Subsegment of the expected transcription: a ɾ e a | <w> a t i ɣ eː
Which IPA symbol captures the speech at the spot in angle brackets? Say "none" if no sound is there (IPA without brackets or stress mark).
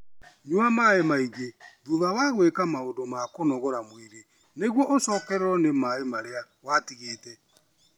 w